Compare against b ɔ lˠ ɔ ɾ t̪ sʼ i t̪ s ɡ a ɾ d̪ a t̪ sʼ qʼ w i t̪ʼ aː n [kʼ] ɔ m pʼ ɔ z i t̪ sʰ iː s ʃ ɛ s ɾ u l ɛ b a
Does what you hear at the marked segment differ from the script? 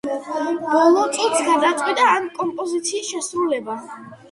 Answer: no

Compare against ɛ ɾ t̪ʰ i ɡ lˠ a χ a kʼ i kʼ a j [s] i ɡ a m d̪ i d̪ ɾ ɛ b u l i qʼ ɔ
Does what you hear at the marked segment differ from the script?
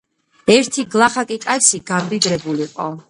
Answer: no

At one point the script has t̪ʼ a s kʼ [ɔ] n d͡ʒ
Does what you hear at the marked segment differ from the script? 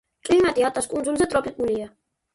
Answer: yes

